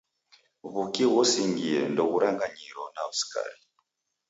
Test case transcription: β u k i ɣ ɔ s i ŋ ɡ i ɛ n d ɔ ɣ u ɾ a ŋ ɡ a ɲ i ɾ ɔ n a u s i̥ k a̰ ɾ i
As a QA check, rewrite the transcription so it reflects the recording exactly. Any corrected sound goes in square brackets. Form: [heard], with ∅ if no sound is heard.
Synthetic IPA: β u k i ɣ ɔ s i ŋ ɡ i ɛ n d ɔ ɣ u ɾ a ŋ ɡ a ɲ i ɾ ɔ n a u s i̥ k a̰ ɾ i